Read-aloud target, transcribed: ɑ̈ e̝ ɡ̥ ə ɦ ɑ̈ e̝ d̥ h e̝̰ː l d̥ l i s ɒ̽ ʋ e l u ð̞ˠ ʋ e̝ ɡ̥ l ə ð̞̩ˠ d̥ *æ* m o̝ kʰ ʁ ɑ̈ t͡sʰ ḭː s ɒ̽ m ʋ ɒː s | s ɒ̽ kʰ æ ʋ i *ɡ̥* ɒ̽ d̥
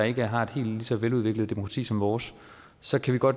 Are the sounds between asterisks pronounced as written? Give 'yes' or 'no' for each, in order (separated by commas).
no, yes